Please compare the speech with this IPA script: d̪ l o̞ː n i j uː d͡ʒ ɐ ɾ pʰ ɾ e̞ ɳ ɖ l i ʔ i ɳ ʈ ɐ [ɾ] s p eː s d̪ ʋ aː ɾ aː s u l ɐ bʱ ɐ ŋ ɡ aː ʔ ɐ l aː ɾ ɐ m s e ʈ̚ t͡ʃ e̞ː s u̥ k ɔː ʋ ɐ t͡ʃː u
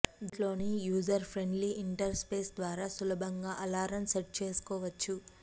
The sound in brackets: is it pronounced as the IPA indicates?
yes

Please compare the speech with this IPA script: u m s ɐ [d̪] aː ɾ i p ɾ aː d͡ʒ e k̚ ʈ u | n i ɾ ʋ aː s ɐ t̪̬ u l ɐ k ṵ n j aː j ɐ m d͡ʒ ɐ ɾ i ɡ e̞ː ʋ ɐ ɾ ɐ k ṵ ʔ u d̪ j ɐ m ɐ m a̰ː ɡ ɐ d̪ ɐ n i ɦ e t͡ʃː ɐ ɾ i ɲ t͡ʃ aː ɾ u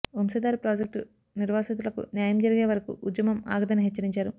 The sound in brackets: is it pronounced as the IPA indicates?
yes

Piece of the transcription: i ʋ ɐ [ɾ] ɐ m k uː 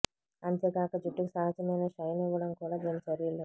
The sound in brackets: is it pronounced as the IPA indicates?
no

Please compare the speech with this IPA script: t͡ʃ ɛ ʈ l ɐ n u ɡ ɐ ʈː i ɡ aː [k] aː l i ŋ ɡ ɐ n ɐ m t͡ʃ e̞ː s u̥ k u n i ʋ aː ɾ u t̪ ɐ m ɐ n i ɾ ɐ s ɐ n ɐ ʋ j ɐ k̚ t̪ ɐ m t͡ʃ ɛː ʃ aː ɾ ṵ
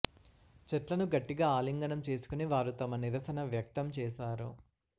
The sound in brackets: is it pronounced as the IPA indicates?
no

